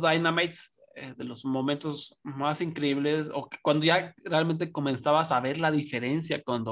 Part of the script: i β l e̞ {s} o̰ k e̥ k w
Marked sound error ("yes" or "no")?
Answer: no